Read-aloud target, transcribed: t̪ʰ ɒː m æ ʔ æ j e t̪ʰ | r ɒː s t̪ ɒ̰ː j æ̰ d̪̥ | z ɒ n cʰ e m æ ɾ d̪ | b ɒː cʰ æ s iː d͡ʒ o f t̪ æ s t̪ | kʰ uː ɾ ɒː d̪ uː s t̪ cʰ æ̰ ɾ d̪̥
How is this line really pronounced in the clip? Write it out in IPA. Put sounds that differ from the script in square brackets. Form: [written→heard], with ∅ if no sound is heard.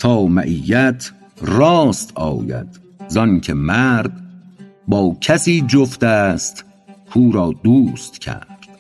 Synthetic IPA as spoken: t̪ʰ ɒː m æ ʔ [æ→i] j [e→æ] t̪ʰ | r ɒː s t̪ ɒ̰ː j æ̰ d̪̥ | z ɒ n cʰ e m æ ɾ d̪ | b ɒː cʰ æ s iː d͡ʒ o f t̪ æ s t̪ | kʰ uː ɾ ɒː d̪ uː s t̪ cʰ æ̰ ɾ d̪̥